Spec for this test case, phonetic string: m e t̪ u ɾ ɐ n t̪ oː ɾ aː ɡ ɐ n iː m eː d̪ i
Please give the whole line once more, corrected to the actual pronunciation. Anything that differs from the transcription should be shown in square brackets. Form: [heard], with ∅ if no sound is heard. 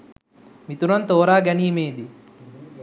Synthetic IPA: m [i] t̪ u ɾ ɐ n t̪ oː ɾ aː ɡ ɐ n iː m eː d̪ i